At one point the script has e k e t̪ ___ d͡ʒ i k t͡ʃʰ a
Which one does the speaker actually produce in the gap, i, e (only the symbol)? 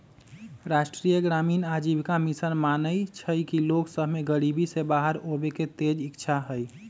e